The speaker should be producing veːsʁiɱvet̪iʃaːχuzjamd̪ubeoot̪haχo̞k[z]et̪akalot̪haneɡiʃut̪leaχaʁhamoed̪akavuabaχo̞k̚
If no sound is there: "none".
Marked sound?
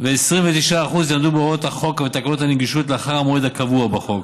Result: v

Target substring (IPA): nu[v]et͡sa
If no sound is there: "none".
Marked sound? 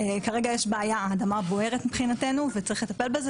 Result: v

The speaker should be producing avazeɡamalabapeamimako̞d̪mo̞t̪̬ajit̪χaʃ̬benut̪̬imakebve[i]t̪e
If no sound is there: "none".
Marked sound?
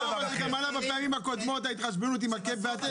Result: a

